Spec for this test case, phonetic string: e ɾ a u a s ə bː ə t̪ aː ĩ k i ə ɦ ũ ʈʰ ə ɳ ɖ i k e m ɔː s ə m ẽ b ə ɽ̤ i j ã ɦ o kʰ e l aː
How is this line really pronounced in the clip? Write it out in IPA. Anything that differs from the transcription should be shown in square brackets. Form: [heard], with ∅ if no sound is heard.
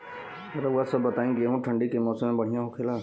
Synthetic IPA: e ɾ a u a s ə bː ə t̪ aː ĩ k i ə ɦ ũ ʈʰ ə ɳ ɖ i k e m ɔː s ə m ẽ b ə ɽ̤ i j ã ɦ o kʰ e l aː